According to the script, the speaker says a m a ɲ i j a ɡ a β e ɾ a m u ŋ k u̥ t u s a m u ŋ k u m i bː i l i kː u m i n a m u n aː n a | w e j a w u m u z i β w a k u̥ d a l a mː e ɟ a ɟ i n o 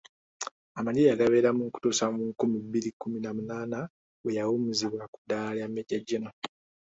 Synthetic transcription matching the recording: a m a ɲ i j a ɡ a β e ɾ a m u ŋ k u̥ t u s a m u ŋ k u m i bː i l i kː u m i n a m u n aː n a | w e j a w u m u z i β w a k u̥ d a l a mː e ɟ a ɟ i n o